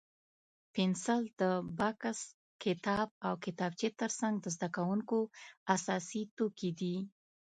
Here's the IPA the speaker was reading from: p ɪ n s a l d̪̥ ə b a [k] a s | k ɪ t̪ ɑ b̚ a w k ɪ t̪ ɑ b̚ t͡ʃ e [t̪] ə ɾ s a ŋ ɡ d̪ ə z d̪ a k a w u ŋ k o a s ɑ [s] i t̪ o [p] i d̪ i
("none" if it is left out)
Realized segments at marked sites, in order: k, t̪, s, k

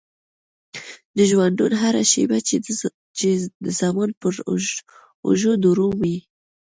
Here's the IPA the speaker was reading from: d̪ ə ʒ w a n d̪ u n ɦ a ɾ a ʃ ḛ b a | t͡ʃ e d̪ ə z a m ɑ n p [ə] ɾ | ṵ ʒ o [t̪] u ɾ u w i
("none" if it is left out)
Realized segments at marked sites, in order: ə, d̪

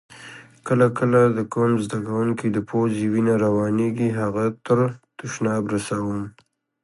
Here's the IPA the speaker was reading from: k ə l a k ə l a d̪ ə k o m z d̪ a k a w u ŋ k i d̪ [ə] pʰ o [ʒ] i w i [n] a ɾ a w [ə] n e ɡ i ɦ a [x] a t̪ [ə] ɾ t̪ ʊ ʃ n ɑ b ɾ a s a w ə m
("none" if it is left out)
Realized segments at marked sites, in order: ə, z, n, ɑ, ɣ, ə

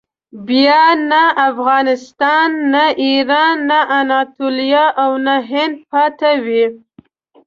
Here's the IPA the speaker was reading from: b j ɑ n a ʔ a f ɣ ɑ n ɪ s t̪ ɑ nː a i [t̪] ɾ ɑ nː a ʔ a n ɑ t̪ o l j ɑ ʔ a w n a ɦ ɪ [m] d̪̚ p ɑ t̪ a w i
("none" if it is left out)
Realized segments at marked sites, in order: none, n

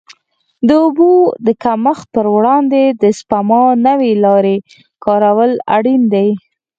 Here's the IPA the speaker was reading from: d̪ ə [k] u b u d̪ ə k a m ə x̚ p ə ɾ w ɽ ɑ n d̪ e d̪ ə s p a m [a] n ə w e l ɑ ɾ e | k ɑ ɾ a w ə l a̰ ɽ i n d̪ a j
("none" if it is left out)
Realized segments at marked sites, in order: none, ɑ

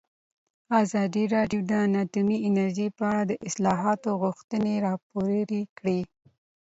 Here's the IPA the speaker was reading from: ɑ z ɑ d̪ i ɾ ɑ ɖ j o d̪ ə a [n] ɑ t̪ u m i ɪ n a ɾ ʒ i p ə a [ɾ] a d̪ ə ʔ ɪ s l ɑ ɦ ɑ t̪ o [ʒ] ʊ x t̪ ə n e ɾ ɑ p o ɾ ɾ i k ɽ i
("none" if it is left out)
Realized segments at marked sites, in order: n, ɽ, ɣ

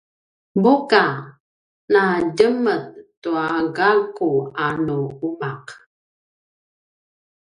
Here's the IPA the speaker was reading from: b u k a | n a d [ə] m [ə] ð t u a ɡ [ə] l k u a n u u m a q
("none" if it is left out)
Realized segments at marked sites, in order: ə, ə, a

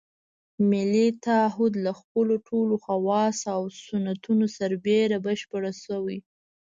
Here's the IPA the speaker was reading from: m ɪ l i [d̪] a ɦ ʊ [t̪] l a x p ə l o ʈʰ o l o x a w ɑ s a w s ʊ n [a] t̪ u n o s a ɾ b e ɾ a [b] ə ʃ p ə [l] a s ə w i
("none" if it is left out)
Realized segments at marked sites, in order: t̪, d̪, a, b, ɽ

